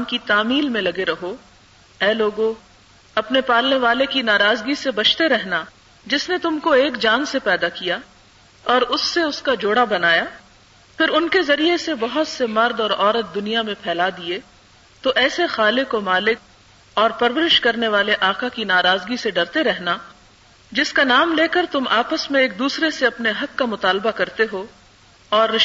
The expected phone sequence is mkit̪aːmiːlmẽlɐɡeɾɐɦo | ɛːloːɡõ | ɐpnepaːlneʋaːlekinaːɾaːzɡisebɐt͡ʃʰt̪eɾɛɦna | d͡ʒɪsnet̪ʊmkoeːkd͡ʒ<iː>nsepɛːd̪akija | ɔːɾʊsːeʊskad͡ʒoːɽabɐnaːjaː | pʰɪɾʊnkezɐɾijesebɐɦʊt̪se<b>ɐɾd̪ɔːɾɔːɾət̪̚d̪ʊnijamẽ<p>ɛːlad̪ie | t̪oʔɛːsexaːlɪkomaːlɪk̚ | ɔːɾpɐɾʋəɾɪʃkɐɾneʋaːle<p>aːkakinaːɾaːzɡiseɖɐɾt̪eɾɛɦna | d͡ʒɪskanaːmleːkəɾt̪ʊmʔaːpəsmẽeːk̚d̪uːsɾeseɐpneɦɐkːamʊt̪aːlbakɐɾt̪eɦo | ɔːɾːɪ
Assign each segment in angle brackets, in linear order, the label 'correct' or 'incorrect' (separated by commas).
incorrect, incorrect, incorrect, incorrect